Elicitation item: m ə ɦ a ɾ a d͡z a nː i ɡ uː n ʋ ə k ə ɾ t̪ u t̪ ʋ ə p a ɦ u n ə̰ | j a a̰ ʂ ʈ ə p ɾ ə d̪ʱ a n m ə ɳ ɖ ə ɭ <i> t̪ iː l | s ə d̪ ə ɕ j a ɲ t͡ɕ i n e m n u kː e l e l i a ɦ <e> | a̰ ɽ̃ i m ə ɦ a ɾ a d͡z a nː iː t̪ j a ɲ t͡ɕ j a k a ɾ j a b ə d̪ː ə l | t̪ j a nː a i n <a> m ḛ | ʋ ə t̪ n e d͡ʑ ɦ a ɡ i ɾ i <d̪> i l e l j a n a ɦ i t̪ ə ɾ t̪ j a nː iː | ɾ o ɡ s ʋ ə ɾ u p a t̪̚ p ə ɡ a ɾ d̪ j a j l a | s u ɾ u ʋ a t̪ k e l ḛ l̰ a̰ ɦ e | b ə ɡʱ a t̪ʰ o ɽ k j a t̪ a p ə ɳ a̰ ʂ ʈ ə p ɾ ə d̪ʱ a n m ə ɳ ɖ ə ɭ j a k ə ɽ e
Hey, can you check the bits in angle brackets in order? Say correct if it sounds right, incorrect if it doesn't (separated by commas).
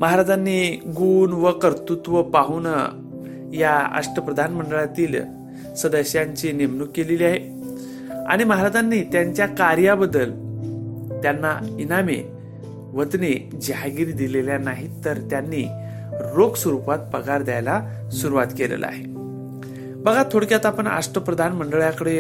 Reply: incorrect, correct, correct, correct